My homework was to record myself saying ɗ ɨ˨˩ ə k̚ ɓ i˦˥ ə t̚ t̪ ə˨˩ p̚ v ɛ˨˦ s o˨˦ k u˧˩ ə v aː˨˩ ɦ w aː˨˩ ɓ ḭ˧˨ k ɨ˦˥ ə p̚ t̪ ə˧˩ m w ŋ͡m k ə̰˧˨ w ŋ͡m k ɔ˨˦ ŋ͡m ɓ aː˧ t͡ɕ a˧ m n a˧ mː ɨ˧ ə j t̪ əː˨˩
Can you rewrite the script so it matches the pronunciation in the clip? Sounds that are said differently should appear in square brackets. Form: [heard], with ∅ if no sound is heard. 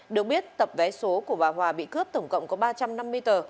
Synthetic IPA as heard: ɗ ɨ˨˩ ə k̚ ɓ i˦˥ ə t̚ t̪ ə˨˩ p̚ v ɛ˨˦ s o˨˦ k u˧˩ ə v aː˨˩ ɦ w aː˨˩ ɓ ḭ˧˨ k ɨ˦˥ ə p̚ t̪ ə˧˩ [∅] w ŋ͡m k ə̰˧˨ w ŋ͡m k ɔ˨˦ [∅] ɓ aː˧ t͡ɕ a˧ m n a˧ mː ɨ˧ ə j t̪ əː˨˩